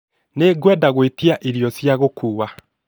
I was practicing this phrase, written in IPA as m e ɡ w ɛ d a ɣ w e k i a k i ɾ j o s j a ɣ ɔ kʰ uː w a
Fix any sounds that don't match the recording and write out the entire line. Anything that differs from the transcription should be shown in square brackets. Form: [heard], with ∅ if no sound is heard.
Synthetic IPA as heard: [n] e ɡ w ɛ d a ɣ w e [t] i a [ʔ] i ɾ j [ɔ] s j a ɣ [o] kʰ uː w a